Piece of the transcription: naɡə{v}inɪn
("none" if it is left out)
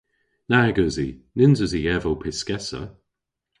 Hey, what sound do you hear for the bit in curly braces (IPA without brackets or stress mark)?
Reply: z